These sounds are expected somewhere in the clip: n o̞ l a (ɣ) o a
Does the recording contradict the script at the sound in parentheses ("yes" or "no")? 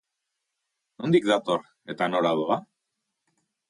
yes